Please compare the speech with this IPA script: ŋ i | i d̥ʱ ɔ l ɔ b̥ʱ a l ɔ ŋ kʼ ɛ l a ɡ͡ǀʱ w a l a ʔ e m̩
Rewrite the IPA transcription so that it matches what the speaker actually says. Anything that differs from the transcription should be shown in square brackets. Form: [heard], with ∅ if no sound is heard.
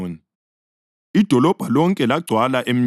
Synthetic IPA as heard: [n] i | i d̥ʱ ɔ l ɔ b̥ʱ a l ɔ ŋ kʼ ɛ l a ɡ͡ǀʱ w a l a ʔ e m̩